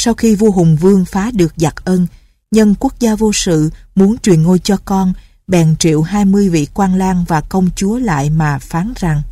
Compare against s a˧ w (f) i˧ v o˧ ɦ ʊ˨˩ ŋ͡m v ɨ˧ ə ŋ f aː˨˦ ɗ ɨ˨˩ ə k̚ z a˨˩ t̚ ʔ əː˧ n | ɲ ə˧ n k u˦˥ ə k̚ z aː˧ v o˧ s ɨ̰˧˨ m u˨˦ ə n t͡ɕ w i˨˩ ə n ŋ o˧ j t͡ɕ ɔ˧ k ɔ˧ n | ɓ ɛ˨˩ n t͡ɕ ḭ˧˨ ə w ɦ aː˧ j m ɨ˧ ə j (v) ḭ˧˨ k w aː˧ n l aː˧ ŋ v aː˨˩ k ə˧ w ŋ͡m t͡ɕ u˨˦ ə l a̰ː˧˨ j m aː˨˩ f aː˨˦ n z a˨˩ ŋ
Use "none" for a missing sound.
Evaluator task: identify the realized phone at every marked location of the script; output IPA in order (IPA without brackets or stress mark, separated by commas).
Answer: x, v